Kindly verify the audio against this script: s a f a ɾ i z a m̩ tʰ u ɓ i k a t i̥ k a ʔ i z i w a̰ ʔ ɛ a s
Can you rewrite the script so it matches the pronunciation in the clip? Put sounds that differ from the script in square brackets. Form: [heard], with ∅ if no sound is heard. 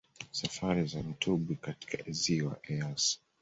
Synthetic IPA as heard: s a f a ɾ i z a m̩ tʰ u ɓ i k a t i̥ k a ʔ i z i w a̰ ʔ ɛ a s